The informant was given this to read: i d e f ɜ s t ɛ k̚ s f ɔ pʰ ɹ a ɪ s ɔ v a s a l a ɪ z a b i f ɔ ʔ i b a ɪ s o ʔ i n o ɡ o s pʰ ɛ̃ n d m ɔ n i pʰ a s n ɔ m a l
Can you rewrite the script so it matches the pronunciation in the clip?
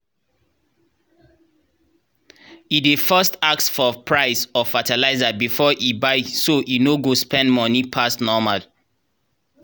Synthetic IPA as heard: i d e f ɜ s t a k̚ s f ɔ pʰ ɹ a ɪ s ɔ f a t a l a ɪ z a b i f ɔ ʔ i b a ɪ s o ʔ i n o ɡ o s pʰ ɛ̃ n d m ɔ n i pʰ a s n ɔ m a l